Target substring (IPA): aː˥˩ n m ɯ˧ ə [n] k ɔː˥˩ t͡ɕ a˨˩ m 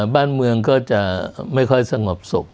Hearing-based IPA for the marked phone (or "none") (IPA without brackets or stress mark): ŋ